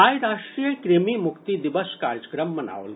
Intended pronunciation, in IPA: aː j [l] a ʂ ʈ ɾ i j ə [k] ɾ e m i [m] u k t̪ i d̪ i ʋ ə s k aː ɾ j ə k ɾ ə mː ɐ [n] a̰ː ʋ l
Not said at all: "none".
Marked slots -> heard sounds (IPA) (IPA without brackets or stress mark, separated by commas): ɾ, k, m, n